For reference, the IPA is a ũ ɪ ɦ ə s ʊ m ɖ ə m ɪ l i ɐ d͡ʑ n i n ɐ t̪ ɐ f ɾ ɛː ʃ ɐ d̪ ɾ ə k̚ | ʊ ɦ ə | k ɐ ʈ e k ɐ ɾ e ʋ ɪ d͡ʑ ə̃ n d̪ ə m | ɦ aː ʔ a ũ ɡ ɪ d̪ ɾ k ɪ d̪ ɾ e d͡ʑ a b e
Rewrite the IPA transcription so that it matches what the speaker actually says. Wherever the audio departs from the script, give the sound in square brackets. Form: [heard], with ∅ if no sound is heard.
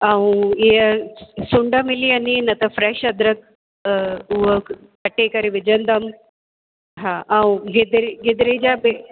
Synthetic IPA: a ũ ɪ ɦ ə s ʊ [ɳ] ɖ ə m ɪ l i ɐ [∅] n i n ɐ t̪ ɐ f ɾ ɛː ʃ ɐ d̪ ɾ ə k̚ | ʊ ɦ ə | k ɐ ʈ e k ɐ ɾ e ʋ ɪ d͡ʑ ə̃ n d̪ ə m | ɦ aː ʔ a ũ ɡ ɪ d̪ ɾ [ɡ] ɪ d̪ ɾ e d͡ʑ a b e